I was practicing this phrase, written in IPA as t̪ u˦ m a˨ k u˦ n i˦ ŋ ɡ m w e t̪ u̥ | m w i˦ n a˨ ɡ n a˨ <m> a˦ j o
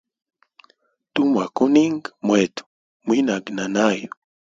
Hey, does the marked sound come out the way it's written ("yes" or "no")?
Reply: no